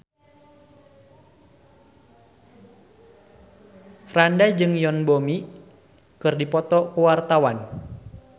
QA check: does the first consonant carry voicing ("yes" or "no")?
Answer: no